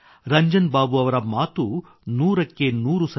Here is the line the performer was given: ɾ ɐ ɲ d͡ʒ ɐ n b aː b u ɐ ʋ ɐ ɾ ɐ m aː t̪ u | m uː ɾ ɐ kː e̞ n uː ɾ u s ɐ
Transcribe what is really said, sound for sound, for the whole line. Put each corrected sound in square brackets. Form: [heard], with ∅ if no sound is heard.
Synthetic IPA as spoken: ɾ ɐ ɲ d͡ʒ ɐ n b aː b u ɐ ʋ ɐ ɾ ɐ m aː t̪ u | [n] uː ɾ ɐ kː e̞ n uː ɾ u s ɐ